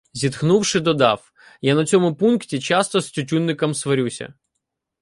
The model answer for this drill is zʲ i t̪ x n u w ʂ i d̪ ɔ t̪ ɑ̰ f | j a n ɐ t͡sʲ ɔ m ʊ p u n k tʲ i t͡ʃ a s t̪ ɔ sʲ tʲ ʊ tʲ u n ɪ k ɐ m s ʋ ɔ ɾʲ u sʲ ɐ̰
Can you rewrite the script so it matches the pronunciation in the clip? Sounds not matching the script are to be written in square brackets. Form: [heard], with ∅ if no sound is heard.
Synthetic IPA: zʲ i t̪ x n u w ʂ [ɪ] d̪ ɔ [d̪] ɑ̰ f | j a n ɐ t͡sʲ ɔ m ʊ p u n k tʲ i t͡ʃ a s t̪ ɔ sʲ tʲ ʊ tʲ u [nː] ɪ k ɐ m s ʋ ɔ ɾʲ u sʲ ɐ̰